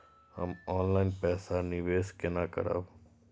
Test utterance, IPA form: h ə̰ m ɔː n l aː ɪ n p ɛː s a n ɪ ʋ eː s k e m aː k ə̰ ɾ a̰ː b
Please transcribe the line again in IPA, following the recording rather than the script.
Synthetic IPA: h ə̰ m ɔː n l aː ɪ n p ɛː s a n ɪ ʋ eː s k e n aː k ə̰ ɾ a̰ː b